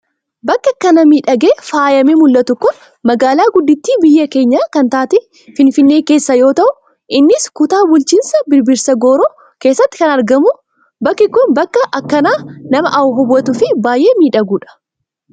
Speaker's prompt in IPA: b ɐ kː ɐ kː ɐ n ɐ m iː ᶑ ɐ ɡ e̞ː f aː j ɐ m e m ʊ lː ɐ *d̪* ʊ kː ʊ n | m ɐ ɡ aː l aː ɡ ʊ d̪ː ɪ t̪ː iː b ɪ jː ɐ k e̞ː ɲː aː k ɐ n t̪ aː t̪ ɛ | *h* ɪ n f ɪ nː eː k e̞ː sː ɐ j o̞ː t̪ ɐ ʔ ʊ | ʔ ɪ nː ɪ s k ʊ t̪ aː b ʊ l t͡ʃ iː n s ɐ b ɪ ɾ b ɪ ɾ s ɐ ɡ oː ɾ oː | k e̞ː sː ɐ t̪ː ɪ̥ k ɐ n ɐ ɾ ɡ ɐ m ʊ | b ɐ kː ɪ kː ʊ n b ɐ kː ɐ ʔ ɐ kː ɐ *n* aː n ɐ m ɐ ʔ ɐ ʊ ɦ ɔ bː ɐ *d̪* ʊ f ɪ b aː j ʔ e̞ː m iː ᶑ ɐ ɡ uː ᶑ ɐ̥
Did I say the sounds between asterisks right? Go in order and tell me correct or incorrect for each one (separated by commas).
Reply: incorrect, incorrect, correct, incorrect